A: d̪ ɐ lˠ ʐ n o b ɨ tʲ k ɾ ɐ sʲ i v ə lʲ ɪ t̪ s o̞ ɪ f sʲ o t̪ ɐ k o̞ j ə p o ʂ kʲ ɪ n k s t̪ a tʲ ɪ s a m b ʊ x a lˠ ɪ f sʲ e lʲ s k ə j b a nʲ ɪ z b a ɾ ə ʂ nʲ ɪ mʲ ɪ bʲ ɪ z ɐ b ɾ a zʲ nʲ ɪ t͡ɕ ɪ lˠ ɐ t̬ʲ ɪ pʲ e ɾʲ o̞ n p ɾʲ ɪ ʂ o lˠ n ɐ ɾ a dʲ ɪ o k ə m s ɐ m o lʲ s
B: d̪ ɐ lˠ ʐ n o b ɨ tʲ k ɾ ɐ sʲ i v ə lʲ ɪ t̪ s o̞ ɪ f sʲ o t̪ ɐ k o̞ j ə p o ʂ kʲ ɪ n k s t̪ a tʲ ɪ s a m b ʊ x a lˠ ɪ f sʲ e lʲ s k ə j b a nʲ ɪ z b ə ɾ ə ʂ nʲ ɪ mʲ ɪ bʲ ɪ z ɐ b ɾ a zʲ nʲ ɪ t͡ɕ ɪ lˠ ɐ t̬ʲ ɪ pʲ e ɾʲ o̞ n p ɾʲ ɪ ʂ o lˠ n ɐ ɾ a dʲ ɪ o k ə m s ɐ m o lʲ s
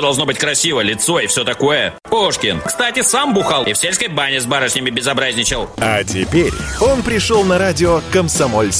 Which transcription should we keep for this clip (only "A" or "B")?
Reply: A